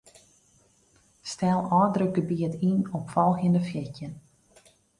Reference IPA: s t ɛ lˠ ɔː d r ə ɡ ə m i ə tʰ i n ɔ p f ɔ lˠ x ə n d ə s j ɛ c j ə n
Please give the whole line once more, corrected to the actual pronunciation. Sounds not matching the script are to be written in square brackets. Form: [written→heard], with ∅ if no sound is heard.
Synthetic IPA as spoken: s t ɛ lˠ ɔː d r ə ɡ ə [m→b] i ə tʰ i n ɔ p f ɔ lˠ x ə n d ə [s→f] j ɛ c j ə n